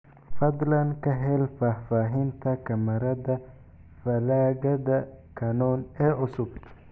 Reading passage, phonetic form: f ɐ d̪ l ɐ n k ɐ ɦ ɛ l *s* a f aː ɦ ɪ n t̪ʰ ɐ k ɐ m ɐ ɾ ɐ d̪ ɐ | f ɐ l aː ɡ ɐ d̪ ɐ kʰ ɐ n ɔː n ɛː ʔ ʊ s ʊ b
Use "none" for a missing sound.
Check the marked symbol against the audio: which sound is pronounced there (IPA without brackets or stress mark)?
f